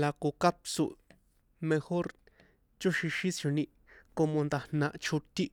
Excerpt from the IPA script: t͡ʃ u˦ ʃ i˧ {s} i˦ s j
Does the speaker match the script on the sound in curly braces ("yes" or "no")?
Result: no